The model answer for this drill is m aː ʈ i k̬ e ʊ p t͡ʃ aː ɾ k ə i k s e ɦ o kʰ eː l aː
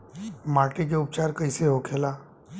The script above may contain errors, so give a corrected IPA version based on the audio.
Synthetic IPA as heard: m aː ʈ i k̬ e ʊ p t͡ʃ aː ɾ k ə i s e ɦ o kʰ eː l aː